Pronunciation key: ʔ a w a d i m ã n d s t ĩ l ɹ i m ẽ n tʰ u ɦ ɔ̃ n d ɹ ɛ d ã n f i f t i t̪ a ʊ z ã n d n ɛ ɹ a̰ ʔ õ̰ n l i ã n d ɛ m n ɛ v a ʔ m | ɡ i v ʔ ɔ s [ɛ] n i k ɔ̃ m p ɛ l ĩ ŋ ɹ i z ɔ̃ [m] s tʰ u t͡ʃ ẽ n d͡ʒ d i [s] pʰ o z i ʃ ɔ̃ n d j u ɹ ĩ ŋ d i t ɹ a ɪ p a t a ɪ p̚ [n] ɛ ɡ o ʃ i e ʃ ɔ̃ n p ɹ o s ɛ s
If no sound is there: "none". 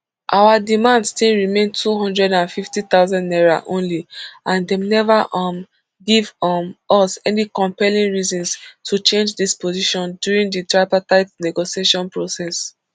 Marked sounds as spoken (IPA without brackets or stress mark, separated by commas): ɛ, n, s, n